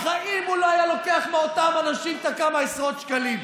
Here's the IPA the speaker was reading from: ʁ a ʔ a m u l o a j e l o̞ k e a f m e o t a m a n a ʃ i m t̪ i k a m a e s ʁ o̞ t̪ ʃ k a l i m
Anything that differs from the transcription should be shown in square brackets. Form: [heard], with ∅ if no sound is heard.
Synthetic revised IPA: [χ] a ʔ [i] m u l o a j [a] l o̞ k e a [χ] m e o t a m a n a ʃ i m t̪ [a] k a m a e s ʁ o̞ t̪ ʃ k a l i m